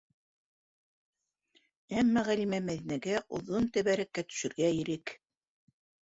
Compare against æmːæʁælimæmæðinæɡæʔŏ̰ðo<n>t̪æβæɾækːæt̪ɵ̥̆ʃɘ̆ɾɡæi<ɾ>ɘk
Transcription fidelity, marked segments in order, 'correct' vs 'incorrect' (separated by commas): correct, correct